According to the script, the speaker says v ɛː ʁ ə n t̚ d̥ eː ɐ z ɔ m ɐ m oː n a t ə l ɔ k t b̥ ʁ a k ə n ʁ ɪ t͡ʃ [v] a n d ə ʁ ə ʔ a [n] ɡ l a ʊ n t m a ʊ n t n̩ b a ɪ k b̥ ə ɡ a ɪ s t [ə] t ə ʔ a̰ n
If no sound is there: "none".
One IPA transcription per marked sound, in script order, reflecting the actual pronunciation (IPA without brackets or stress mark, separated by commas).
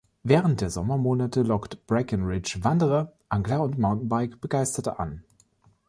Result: v, ŋ, ɐ